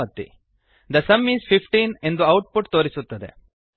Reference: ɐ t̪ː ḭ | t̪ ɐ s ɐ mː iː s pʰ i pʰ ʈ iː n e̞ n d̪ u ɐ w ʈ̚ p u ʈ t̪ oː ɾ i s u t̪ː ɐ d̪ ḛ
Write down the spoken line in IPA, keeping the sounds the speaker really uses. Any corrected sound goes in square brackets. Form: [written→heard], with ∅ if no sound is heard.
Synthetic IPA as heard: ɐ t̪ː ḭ | [t̪→d̪] ɐ s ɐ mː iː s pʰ i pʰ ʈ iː n e̞ n d̪ u ɐ w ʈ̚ p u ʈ t̪ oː ɾ i s u t̪ː ɐ d̪ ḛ